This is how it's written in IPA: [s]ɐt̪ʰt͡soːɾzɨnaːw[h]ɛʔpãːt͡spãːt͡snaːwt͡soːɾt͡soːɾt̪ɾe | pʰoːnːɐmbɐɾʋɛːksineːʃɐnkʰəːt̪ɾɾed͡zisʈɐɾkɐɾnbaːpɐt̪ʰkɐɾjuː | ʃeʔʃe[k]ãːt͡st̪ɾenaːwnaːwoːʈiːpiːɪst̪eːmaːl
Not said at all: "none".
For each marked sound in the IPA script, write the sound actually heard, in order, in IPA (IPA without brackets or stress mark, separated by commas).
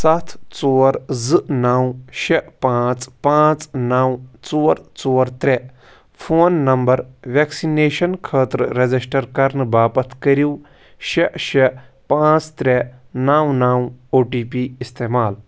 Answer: s, ʃ, p